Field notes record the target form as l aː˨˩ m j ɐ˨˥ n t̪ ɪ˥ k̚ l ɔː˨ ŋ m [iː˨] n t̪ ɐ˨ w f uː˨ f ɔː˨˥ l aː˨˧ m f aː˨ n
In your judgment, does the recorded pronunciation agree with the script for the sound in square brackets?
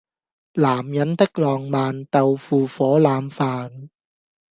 no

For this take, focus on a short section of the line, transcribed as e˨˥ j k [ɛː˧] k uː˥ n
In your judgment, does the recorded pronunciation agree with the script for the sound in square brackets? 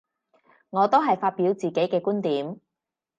yes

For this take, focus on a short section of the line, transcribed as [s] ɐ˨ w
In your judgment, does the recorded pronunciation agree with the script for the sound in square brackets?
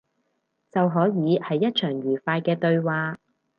no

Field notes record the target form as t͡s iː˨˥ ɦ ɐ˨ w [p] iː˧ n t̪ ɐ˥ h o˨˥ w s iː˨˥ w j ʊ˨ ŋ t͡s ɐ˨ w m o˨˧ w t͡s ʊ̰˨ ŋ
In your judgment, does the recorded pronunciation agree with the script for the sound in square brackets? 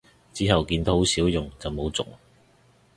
no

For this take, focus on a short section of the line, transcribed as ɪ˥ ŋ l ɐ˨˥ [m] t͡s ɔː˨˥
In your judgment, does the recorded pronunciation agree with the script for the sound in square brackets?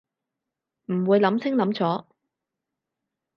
yes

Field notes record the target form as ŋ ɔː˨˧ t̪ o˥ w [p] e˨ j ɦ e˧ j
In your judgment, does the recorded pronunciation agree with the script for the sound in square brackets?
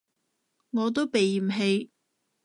yes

